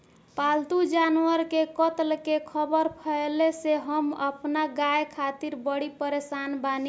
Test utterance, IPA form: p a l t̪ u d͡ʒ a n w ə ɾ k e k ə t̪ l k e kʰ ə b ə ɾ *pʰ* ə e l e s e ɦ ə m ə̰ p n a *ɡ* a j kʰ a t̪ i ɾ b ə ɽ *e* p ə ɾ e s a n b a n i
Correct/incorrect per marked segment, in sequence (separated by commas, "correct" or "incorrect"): correct, correct, incorrect